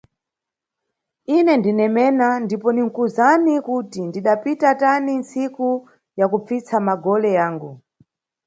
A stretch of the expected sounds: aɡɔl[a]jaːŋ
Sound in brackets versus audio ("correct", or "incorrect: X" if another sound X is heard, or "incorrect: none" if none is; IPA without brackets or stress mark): incorrect: ɛ